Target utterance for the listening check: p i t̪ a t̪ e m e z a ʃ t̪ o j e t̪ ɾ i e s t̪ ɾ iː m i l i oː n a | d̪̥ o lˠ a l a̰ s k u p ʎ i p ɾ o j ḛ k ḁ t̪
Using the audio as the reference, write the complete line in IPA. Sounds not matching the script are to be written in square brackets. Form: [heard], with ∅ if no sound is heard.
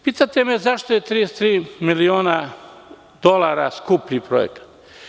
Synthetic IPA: p i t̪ a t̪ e m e z a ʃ t̪ o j e t̪ ɾ i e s t̪ ɾ iː m i l i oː n a | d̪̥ o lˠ a [ɾ] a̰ s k u p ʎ i p ɾ o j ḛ k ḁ t̪